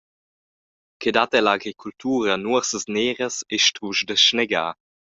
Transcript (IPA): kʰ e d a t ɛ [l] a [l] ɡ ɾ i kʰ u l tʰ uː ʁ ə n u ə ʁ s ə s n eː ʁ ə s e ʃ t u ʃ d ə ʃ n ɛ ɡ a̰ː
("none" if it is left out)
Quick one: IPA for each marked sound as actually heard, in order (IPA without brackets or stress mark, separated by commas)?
l, none